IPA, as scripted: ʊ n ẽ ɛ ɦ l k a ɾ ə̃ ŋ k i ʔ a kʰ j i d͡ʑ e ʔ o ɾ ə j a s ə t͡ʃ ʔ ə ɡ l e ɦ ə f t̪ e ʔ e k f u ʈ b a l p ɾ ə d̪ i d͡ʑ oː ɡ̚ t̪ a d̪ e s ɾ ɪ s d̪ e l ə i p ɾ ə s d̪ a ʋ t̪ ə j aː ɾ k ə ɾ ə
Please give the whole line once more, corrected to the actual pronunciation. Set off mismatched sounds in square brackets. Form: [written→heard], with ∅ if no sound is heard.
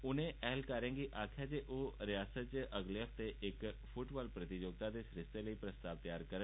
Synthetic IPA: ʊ n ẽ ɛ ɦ l k a ɾ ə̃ ŋ [k→ɡ] i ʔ a kʰ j [i→a] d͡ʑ e ʔ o ɾ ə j a s ə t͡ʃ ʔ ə ɡ l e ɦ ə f t̪ e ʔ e k f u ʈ b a l p ɾ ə [d̪→t̪] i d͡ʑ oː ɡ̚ t̪ a d̪ e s ɾ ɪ s [d̪→t̪] e l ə i p ɾ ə s [d̪→t̪] a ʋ t̪ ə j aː ɾ k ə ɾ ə